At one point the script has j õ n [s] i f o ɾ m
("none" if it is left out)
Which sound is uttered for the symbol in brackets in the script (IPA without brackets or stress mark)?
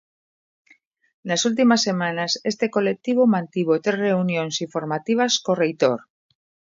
s